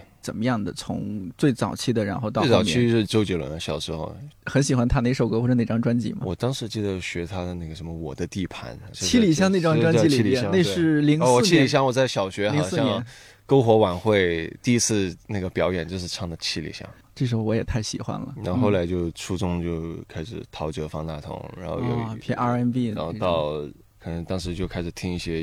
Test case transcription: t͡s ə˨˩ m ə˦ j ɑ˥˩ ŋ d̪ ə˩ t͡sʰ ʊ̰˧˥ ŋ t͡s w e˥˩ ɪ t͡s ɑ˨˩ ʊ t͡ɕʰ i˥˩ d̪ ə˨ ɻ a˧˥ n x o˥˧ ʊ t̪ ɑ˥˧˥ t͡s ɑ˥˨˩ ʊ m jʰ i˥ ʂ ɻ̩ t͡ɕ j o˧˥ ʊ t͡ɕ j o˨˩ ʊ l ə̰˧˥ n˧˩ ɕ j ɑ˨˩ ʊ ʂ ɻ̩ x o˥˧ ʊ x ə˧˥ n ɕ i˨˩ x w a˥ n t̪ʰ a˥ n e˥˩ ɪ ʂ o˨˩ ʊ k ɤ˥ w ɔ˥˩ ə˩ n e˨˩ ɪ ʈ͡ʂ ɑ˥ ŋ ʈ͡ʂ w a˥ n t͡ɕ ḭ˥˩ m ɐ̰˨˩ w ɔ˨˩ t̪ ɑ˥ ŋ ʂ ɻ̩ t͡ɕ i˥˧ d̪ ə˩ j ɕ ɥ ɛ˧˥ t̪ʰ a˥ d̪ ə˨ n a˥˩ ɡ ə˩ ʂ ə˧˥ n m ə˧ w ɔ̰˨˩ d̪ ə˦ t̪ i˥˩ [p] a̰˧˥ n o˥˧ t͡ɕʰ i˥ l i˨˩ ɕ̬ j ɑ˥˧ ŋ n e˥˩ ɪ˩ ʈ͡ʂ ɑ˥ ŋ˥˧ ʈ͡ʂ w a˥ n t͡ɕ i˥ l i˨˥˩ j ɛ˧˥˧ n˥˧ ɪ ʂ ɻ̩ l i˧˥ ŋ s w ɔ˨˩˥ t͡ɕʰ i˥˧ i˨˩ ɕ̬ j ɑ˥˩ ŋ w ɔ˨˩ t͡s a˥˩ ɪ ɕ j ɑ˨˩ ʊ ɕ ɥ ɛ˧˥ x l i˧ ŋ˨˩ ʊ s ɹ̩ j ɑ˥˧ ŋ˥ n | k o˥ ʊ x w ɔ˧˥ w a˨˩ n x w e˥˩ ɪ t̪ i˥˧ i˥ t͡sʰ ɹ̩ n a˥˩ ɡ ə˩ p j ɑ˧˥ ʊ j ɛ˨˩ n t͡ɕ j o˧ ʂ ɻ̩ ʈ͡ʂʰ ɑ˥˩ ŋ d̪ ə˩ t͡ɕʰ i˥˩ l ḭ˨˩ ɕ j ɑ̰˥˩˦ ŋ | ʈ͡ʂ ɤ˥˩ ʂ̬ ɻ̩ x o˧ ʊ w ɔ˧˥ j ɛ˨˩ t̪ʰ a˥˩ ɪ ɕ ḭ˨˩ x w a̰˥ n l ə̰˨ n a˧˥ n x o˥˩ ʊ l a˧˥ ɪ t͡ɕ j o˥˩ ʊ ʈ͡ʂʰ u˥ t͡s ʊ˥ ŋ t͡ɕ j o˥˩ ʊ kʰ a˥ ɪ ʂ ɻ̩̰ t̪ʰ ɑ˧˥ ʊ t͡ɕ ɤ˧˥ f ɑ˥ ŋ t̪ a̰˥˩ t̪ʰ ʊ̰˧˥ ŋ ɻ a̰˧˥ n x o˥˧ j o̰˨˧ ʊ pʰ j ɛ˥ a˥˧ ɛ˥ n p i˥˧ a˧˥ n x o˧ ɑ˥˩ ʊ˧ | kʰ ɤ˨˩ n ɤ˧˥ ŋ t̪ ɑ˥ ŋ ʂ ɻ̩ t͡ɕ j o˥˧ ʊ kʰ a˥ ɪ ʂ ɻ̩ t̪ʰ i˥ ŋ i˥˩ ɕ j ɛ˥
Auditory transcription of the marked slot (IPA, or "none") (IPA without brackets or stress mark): pʰ